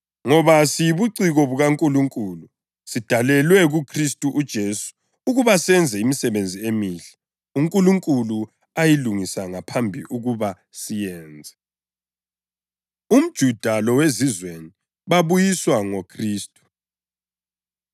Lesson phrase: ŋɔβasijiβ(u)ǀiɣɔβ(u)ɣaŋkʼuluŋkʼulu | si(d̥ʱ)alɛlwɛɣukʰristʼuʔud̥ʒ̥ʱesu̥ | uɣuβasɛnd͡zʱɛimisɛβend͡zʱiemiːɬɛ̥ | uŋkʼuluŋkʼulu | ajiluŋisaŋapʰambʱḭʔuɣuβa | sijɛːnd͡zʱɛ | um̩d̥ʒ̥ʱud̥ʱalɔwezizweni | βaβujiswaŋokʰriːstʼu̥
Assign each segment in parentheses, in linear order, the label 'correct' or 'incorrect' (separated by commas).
correct, correct, correct